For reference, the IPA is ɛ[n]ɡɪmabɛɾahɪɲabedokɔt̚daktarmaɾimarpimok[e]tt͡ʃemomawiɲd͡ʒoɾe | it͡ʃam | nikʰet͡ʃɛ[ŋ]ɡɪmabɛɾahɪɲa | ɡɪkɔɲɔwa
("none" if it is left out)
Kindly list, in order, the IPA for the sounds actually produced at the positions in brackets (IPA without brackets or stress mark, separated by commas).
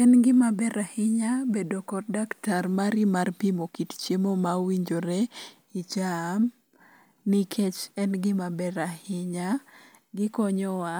n, i, n